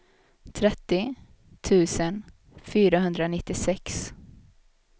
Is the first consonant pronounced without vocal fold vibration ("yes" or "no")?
yes